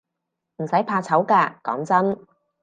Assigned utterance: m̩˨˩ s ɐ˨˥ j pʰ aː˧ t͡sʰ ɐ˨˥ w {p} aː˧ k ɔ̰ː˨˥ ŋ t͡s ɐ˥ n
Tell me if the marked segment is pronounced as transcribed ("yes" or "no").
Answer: no